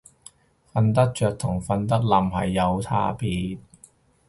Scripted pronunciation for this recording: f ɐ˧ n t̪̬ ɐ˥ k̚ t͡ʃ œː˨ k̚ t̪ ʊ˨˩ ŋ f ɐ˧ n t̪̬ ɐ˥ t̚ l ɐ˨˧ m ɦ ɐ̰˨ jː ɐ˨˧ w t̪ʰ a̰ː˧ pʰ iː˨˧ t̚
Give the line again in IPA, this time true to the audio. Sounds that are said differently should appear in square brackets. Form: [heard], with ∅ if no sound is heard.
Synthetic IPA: f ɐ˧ n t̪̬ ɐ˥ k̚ t͡ʃ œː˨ k̚ [t̪ʰ] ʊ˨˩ ŋ f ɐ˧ n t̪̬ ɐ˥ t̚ l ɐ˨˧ m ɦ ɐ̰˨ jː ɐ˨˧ w t̪ʰ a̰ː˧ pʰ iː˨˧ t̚